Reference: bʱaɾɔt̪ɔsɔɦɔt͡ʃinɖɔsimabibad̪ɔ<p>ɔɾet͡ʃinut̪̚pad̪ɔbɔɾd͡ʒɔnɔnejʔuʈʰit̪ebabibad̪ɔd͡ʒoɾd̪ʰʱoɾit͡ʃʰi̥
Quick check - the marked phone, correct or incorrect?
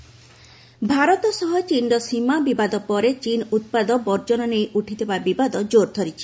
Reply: correct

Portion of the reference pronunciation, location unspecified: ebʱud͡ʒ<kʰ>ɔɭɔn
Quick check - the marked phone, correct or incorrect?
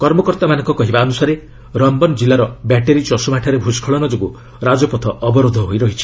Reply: correct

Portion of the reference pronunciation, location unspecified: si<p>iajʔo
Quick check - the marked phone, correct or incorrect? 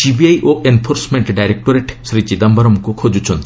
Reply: incorrect: b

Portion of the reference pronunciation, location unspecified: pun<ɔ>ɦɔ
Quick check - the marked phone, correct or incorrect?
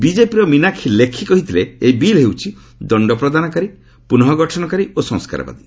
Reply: correct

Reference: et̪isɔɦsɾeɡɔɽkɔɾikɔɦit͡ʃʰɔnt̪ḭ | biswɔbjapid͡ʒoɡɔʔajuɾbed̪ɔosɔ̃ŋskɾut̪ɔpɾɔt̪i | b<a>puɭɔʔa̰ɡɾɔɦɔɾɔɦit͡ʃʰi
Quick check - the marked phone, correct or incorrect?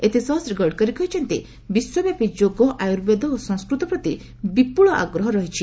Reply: incorrect: i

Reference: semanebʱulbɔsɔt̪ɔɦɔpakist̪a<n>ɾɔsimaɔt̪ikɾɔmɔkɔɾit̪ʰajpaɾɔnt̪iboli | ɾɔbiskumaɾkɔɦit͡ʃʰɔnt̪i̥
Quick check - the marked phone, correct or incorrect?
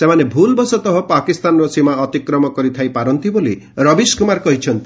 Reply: correct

